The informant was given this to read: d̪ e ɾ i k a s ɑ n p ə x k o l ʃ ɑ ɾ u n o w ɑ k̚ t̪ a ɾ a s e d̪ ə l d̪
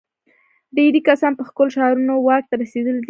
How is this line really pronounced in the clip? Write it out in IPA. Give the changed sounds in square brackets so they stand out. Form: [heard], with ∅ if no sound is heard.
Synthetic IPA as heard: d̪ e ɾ i k a s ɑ n p ə x k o l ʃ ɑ ɾ u n o w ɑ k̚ t̪ a ɾ a s e d̪ ə l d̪